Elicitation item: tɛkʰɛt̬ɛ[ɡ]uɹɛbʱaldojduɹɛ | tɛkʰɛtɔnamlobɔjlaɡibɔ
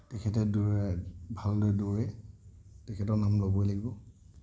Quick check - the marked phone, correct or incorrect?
incorrect